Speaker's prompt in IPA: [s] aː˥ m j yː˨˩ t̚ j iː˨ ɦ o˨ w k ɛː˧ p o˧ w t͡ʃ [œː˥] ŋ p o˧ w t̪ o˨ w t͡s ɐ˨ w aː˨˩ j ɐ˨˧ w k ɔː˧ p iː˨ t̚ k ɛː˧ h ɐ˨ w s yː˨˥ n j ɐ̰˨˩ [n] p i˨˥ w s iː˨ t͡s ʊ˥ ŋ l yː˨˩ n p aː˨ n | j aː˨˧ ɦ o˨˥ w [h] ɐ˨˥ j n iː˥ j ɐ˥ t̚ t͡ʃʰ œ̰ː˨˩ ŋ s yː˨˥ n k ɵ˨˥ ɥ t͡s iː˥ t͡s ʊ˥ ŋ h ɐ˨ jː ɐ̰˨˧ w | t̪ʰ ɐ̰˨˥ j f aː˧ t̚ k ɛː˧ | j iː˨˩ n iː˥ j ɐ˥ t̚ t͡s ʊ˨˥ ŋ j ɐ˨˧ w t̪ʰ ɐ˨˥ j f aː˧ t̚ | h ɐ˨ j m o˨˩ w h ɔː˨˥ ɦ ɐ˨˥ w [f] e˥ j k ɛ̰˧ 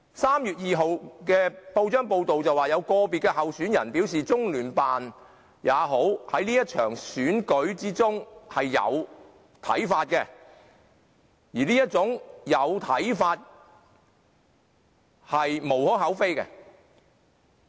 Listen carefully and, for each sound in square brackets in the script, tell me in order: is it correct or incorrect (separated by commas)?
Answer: correct, correct, correct, correct, correct